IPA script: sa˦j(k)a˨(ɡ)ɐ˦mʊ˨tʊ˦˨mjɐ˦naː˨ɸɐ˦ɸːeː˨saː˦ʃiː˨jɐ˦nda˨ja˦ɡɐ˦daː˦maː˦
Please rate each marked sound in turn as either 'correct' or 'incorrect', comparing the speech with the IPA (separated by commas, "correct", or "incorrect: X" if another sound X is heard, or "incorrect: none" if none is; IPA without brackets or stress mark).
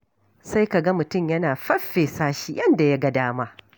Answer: correct, correct